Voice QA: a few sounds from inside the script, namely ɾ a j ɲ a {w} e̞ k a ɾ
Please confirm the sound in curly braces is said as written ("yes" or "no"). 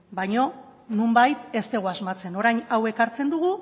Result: yes